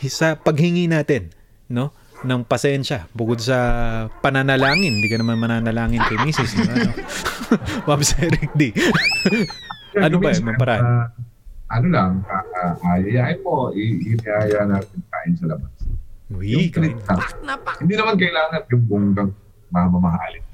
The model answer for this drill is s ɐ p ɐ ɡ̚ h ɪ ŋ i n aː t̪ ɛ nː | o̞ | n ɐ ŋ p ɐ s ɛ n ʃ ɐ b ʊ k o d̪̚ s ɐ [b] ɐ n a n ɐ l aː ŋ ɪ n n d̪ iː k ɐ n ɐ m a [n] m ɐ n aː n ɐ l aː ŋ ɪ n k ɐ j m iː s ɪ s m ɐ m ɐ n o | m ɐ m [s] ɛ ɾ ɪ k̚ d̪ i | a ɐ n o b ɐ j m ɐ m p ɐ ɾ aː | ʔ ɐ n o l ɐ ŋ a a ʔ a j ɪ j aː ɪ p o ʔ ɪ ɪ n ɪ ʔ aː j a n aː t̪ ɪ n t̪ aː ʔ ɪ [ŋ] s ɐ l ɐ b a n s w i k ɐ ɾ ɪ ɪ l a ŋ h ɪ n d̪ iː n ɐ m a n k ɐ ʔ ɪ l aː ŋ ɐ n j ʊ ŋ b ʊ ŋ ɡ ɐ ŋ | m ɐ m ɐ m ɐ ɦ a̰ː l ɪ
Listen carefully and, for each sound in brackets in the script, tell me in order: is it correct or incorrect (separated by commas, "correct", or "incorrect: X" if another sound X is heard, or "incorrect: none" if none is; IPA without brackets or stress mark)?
incorrect: p, correct, correct, incorrect: n